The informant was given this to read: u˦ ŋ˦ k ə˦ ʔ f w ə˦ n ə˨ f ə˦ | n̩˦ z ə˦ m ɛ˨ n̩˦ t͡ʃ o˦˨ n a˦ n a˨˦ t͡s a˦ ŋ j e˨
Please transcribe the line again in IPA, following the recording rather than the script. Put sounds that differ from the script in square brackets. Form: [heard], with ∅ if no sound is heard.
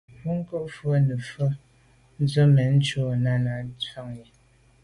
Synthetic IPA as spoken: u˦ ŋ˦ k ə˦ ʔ f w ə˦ n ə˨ f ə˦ | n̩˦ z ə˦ m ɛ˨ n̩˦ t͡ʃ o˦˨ n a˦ n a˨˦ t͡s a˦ ŋ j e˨